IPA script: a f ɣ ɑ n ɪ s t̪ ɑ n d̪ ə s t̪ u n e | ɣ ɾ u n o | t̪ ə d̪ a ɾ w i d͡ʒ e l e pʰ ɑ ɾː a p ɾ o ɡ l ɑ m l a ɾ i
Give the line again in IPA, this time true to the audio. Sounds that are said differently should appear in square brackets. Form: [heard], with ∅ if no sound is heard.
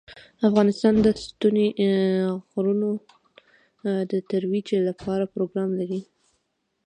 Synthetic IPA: a f ɣ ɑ n ɪ s t̪ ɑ n d̪ ə s t̪ u n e | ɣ ɾ u n o | [d̪] ə [t̪] a ɾ w i d͡ʒ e l [a] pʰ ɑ [ɾ] a p ɾ o ɡ [ɾ] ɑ m l a ɾ i